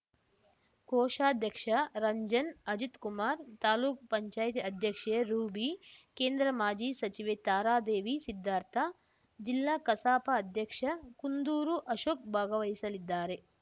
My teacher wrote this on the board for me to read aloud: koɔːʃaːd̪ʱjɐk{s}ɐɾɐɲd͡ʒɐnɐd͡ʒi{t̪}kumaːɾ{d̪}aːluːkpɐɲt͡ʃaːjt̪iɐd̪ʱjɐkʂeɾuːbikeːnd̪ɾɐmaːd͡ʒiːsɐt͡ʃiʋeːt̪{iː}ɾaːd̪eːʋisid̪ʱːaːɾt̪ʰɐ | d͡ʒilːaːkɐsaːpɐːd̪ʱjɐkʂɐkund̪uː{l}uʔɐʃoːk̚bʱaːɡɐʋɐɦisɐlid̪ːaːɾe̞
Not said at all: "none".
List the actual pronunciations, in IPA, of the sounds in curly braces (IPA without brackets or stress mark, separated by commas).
ʂ, t̪, t̪, aː, ɾ